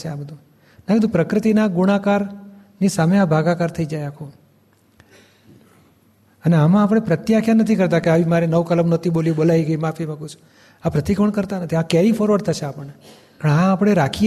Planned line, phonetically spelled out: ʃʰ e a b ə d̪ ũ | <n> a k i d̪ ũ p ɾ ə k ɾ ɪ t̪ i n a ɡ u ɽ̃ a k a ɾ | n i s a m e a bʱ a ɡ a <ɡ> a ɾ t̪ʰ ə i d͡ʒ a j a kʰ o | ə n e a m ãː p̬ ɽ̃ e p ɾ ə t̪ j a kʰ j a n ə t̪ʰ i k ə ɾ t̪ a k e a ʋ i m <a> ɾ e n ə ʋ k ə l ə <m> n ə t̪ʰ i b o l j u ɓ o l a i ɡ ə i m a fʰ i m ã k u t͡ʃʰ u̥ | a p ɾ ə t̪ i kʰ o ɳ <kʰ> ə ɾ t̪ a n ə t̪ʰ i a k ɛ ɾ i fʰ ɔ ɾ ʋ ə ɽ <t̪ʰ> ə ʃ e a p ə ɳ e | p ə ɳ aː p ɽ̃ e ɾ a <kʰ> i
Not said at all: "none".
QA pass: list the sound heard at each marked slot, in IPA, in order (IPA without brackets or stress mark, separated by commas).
n, k, a, m, k, t̪ʰ, kʰ